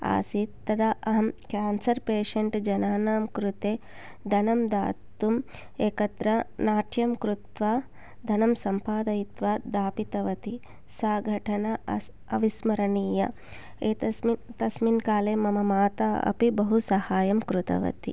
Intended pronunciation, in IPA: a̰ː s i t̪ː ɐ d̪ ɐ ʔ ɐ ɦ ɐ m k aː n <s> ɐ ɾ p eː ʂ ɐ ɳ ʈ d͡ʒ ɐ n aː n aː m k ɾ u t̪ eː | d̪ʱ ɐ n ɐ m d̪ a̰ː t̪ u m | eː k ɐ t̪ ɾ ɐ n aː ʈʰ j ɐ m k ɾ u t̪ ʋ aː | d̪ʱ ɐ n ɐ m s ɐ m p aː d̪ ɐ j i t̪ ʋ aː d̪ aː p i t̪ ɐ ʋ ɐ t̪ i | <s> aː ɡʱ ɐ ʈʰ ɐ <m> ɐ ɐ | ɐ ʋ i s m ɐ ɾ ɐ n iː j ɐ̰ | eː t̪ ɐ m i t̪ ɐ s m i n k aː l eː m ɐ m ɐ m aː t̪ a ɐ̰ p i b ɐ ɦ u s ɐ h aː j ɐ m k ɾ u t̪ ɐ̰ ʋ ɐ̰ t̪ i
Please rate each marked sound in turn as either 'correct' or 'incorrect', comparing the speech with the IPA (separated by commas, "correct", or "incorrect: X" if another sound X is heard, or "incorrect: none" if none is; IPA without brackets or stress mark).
correct, correct, incorrect: n